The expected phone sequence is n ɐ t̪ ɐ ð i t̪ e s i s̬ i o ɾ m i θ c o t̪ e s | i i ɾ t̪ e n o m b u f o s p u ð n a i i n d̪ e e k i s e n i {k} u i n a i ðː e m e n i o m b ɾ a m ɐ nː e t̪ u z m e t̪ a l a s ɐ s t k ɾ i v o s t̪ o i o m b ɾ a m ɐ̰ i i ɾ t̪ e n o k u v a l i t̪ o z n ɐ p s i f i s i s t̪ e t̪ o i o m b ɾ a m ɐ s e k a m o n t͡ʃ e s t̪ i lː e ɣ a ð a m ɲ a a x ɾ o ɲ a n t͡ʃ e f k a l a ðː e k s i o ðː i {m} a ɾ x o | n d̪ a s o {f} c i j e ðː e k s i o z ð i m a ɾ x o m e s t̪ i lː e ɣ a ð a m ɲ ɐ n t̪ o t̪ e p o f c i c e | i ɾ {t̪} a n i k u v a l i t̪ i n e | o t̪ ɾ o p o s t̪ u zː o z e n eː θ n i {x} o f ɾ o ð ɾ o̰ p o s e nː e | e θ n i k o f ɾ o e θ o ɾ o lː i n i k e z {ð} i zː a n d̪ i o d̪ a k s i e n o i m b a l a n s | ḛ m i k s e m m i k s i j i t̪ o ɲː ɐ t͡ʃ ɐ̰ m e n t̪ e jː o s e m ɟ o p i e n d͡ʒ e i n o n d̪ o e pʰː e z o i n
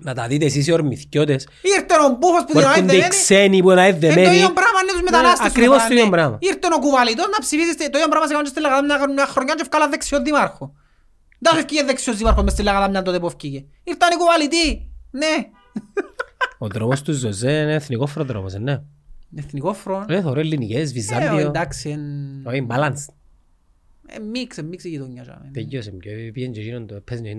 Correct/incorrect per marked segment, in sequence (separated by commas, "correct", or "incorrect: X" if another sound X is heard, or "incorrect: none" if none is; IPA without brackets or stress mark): incorrect: p, correct, correct, correct, incorrect: k, incorrect: v